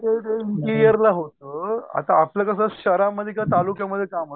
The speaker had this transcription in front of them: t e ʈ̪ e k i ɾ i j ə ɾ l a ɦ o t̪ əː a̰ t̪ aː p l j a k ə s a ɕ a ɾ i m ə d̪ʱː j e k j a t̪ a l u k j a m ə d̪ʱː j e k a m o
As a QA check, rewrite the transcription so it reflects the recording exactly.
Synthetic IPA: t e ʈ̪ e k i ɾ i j ə ɾ l a ɦ o t̪ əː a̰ t̪ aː p l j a k ə s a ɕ ə ɾ a m ə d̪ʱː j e k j a t̪ a l u k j a m ə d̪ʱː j e k a m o